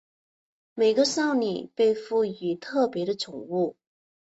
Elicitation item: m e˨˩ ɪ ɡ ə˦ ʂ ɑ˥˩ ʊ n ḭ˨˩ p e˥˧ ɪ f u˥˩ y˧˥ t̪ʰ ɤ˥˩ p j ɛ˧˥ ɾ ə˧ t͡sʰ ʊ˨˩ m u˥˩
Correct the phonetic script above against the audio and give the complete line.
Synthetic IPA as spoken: m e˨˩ ɪ ɡ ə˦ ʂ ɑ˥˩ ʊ n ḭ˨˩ p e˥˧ ɪ f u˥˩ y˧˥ t̪ʰ ɤ˥˩ p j ɛ˧˥ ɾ ə˧ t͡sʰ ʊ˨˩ ŋ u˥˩